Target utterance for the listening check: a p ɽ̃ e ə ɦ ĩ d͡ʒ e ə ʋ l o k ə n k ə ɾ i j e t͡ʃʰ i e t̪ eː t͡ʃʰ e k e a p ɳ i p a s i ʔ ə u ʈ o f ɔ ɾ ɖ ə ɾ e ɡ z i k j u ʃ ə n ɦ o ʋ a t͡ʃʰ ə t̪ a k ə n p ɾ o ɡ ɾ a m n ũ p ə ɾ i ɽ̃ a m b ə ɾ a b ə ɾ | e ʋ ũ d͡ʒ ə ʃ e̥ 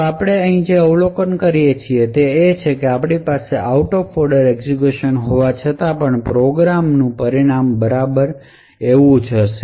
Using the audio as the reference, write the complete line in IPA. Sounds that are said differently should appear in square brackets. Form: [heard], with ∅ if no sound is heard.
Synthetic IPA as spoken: a p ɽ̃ e ə ɦ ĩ d͡ʒ e ə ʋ l o k ə n k ə ɾ i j e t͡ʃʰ i e t̪ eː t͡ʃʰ e k e a p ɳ i p a s [e] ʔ [a] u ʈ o f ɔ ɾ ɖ ə ɾ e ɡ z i k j u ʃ ə n ɦ o ʋ a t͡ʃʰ ə t̪ a [p] ə [ɳ] p ɾ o ɡ ɾ a m n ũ p ə ɾ i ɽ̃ a m b ə ɾ a b ə ɾ | e ʋ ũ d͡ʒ ə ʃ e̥